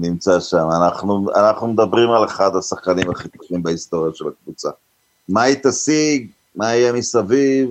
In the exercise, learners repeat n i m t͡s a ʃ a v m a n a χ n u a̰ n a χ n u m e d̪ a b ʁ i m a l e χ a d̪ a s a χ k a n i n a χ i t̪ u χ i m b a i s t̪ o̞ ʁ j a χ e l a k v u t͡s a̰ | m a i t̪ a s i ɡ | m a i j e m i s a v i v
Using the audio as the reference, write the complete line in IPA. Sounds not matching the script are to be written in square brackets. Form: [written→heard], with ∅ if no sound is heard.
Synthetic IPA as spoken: n i m t͡s a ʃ a [v→∅] m a n a χ n u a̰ n a χ n u m e d̪ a b ʁ i m a l e χ a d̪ a s a χ k a n i [n→m] a χ i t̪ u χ i m b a i s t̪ o̞ ʁ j a [χ→ʃ] e l a k v u t͡s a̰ | m a i t̪ a s i ɡ | m a i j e m i s a v i v